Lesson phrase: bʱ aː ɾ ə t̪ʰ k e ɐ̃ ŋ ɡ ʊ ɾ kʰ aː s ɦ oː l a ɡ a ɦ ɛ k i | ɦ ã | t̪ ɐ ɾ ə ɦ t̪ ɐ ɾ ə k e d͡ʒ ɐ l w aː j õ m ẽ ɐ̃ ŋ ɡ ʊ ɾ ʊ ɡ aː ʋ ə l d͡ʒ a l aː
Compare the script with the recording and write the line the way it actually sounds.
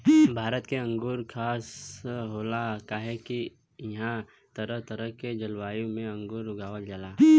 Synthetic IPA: bʱ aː ɾ ə t̪ k e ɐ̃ ŋ ɡ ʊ ɾ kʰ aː s ɦ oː l a k a ɦ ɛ k i | ɦ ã | t̪ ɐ ɾ ə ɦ t̪ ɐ ɾ ə k e d͡ʒ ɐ l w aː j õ m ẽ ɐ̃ ŋ ɡ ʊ ɾ ʊ ɡ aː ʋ ə l d͡ʒ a l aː